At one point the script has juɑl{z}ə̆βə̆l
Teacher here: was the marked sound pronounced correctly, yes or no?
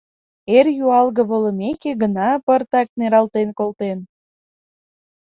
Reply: no